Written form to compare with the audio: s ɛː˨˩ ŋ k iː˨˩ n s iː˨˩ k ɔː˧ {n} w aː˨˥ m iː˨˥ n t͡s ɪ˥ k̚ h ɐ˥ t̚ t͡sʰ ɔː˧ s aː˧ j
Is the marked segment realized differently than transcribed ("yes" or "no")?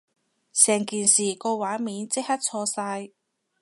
yes